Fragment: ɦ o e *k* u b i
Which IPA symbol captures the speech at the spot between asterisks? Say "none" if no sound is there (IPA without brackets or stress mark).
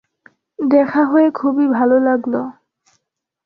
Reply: kʰ